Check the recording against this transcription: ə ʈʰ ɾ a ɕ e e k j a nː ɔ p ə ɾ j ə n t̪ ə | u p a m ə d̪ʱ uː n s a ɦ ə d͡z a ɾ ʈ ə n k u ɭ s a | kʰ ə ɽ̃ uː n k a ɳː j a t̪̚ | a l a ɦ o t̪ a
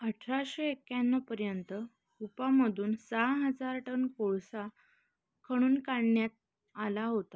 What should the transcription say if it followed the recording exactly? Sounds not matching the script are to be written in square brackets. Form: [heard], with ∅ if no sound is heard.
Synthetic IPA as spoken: ə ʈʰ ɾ a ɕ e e k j a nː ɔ p ə ɾ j ə n t̪ ə | u p a m ə d̪ʱ uː n s a ɦ ə d͡z a ɾ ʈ ə n k [o] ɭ s a | kʰ ə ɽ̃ uː n k a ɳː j a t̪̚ | a l a ɦ o t̪ a